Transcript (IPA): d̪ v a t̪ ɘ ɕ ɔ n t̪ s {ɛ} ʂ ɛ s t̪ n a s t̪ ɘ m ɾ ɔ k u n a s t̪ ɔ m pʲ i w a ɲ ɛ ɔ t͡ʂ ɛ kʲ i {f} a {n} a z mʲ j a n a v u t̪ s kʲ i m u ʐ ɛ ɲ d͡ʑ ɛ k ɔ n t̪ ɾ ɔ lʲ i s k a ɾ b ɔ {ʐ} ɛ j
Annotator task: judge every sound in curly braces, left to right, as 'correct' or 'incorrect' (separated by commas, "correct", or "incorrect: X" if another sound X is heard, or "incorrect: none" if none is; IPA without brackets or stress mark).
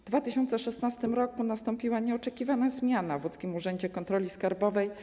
correct, incorrect: v, correct, incorrect: v